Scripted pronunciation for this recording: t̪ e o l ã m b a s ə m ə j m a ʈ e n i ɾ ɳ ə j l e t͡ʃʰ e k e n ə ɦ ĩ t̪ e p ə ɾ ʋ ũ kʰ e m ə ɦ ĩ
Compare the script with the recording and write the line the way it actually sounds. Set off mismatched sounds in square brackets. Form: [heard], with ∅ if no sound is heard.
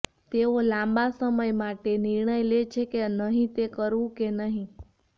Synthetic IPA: t̪ e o l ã m b a s ə m ə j m a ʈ e n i ɾ ɳ ə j l e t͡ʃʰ e k e n ə ɦ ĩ t̪ e [k] ə ɾ ʋ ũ [k] e [n] ə ɦ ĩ